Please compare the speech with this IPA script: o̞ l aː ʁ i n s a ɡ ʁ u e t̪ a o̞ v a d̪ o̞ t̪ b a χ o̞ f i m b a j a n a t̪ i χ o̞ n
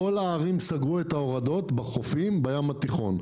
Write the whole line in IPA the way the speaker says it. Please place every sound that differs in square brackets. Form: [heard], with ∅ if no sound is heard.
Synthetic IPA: o̞ l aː ʁ i [m] s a ɡ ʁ u e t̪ a o̞ [ʁ] a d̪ o̞ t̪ b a χ o̞ f i m b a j a [m] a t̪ i χ o̞ n